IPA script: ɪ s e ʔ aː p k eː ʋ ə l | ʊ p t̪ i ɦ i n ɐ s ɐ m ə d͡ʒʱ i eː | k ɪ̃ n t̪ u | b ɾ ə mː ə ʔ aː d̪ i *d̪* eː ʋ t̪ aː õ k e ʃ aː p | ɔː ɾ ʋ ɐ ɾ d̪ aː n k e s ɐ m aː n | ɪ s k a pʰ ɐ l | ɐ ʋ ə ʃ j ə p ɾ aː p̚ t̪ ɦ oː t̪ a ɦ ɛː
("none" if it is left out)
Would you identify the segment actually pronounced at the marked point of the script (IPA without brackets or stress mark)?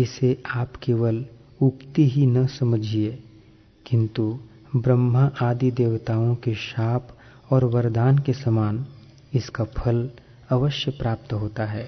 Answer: d̪